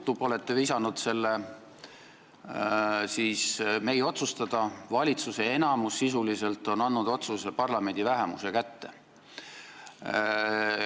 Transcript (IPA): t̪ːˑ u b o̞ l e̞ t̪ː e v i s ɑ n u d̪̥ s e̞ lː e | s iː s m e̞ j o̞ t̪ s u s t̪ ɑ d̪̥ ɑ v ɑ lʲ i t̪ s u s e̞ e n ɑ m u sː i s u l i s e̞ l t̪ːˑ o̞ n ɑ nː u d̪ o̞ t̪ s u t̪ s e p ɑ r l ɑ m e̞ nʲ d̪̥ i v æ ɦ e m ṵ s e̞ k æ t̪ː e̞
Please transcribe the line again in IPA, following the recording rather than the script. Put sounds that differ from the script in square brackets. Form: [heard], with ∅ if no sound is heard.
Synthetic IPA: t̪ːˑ u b o̞ l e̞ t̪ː e v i s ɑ n u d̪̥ s e̞ lː e | s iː s m e̞ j o̞ t̪ s u s t̪ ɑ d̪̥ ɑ v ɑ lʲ i t̪ s u s e̞ e n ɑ m u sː i s u l i s e̞ l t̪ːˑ o̞ n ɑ nː u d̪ o̞ t̪ s u [∅] s e p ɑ r l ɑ m e̞ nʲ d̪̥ i v æ ɦ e m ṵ s e̞ k æ t̪ː e̞